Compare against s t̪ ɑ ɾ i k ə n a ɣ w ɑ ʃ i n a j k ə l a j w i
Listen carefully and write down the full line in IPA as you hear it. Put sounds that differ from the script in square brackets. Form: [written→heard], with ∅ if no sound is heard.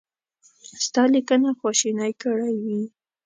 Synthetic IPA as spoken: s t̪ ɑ [ɾ→l] i k ə n a [ɣ→x] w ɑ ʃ i n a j k ə [l→ɽ] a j w i